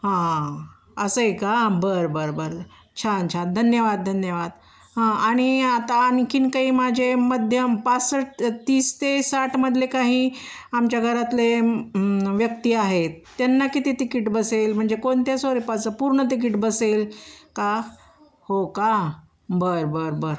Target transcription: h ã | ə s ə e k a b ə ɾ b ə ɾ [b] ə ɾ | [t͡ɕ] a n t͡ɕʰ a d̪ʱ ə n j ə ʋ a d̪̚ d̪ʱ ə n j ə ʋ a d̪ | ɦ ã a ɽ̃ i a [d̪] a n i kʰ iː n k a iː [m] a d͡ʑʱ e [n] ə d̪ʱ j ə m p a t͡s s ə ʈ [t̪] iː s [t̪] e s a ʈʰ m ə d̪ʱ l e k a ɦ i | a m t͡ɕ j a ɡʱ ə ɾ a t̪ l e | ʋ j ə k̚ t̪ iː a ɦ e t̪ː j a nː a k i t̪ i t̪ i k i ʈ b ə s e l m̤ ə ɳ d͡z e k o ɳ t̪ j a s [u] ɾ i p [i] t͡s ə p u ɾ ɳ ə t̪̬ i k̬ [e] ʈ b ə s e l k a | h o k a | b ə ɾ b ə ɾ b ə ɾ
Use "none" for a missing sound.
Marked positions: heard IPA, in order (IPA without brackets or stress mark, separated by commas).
b, t͡ɕʰ, t̪, m, m, t̪, t̪, o, a, i